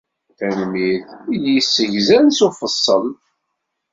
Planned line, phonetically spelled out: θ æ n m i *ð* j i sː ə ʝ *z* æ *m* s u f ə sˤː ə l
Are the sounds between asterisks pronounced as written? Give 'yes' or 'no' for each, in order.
no, yes, no

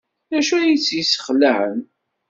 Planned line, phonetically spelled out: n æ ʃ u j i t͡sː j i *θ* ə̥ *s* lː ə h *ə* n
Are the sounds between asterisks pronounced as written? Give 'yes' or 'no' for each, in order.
no, no, yes

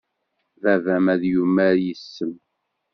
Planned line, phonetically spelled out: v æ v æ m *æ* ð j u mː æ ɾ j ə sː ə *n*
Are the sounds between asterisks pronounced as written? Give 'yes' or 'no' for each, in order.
yes, no

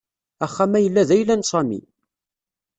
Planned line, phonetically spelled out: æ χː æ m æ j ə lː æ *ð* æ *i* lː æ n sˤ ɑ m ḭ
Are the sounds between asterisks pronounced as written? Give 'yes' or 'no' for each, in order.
yes, no

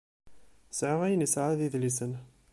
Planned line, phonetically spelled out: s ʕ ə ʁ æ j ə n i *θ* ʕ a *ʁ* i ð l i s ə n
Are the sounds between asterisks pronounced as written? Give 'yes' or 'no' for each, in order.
no, no

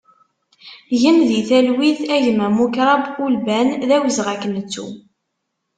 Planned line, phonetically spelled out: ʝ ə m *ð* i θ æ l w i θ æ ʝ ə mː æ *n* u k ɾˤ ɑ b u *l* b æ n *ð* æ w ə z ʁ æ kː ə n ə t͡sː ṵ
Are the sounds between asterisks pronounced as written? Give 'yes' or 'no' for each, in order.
yes, no, yes, yes

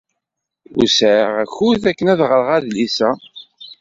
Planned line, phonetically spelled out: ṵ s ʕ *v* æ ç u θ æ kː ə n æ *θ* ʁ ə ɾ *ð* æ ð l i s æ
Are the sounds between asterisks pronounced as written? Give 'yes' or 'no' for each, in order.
no, no, no

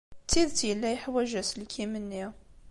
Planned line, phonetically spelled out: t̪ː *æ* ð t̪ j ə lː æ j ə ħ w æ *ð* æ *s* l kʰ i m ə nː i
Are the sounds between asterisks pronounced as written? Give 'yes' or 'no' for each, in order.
no, no, yes

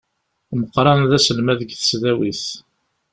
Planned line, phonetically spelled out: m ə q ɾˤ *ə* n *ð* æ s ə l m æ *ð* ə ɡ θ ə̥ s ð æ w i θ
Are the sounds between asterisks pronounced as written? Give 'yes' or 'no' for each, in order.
no, yes, yes

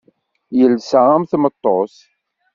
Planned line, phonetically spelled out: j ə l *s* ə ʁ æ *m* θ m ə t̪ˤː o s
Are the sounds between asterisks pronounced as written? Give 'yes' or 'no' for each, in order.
yes, yes

